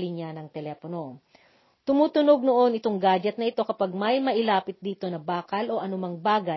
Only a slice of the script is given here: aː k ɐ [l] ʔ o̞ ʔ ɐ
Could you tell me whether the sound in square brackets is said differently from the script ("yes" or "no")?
no